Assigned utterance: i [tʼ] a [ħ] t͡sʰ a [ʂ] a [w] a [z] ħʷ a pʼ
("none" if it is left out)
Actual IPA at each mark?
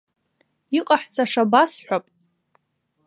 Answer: qʼ, ħ, ʂ, b, s

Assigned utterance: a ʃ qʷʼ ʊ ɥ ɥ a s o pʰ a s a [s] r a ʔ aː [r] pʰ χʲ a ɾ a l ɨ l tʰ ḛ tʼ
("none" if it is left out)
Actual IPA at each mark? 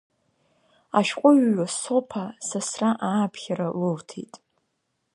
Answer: s, none

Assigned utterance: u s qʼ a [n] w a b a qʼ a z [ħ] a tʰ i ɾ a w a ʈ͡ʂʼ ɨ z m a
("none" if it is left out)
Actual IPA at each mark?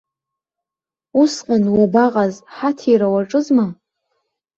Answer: n, ħ

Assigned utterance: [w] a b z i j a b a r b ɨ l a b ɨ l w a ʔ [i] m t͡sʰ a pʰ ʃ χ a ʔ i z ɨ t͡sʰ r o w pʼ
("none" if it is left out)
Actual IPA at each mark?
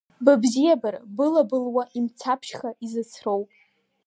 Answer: b, i

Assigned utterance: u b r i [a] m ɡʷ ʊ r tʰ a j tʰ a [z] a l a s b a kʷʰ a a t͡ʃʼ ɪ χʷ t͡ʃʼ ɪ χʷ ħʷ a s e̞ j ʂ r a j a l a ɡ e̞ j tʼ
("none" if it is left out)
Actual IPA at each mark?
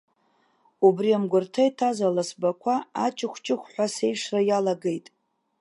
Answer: a, z

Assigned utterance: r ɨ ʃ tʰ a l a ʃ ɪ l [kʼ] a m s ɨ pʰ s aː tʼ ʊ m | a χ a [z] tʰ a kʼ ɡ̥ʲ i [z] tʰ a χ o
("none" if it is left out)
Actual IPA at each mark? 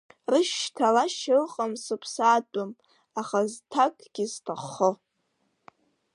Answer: qʼ, z, z

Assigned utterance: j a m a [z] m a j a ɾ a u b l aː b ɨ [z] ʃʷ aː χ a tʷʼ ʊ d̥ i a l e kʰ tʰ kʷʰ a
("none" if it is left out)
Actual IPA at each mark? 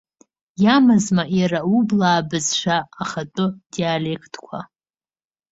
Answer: z, z

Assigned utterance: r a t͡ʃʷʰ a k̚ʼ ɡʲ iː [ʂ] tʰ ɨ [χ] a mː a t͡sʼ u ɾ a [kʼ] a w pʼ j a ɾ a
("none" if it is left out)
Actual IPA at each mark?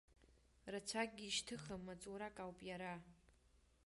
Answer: ʃ, χ, kʼ

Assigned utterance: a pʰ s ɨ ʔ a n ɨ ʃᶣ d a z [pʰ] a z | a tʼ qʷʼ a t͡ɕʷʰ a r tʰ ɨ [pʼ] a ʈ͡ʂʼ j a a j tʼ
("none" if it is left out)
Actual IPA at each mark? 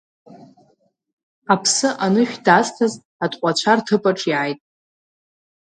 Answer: tʰ, pʼ

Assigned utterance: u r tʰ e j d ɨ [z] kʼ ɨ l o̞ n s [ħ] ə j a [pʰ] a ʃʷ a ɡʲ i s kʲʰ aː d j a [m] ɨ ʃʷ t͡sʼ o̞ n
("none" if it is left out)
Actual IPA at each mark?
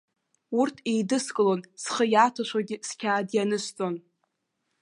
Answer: s, χ, tʰ, n

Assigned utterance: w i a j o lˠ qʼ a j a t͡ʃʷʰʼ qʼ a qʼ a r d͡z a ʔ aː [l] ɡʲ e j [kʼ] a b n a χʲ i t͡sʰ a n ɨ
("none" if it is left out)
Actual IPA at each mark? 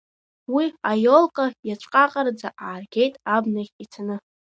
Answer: r, tʼ

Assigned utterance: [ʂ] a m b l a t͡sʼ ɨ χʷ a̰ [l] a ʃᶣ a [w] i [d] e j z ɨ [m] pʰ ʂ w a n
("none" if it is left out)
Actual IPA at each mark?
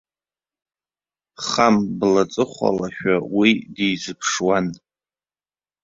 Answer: χ, l, w, d, none

